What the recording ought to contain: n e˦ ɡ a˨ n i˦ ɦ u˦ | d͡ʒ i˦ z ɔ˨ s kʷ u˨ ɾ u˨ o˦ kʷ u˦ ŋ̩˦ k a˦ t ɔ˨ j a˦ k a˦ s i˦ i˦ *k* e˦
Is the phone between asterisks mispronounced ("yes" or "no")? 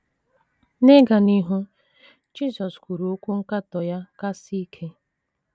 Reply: yes